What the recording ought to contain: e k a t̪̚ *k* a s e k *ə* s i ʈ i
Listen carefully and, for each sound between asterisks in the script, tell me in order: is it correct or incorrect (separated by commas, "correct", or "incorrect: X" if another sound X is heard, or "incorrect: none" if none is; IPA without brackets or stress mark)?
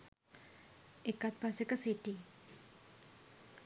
incorrect: p, correct